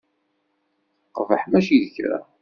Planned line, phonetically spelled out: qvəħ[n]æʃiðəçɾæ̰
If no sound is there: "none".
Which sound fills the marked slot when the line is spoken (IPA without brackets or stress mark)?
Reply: m